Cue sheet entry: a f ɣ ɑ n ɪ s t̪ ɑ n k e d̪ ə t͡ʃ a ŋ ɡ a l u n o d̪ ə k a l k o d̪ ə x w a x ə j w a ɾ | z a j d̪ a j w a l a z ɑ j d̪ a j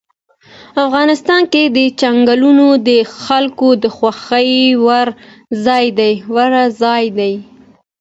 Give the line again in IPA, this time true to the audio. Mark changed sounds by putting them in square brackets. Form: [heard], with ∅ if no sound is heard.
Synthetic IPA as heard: a f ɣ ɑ n ɪ s t̪ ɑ n k e d̪ ə t͡ʃ a ŋ ɡ a l u n o d̪ ə [x] a l k o d̪ ə x w a x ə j w a ɾ | z [ɑ] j d̪ a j w a [ɾ] a z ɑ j d̪ a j